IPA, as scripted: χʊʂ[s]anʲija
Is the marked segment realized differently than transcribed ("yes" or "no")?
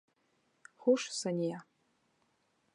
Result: no